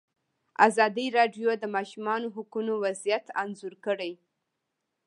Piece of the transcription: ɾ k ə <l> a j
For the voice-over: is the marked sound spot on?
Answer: no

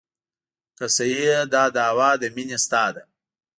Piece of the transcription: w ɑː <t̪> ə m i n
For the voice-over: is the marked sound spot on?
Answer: no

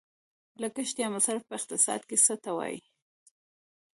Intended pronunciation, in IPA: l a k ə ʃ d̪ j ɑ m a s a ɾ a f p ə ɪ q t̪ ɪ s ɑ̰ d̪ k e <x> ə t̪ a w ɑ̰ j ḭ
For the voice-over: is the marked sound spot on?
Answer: no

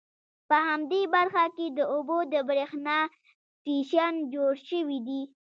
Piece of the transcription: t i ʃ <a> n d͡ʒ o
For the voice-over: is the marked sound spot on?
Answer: yes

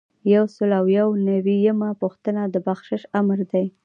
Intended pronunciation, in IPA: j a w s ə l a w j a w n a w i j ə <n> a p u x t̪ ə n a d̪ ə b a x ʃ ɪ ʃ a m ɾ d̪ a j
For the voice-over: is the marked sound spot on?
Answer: no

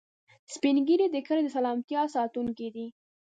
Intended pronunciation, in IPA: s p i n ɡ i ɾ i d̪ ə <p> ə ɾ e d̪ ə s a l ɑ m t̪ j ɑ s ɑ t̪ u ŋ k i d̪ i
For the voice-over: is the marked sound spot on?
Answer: no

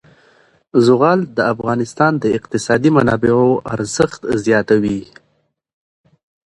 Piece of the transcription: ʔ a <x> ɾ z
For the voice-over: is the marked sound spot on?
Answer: no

